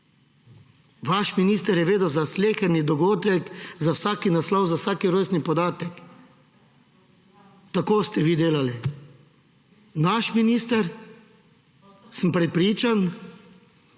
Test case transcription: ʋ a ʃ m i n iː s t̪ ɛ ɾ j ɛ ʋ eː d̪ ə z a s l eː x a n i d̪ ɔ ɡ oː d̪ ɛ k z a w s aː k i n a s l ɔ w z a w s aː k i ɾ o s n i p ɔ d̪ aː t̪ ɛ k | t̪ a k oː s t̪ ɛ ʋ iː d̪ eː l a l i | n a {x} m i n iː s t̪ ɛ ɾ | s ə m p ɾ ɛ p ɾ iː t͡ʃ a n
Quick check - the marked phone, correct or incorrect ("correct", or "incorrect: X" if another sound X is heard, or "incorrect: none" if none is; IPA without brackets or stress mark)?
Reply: incorrect: ʃ